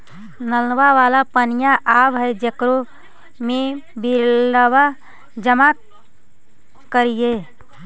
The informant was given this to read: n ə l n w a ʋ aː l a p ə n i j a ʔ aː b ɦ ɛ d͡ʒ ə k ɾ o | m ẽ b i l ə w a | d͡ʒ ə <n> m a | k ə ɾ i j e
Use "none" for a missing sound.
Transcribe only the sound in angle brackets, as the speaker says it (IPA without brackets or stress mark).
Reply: none